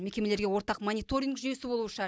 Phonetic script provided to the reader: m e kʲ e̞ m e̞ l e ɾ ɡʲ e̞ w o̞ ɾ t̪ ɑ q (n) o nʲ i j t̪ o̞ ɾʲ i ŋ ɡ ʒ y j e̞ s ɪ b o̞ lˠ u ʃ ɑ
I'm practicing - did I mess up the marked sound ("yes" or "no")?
yes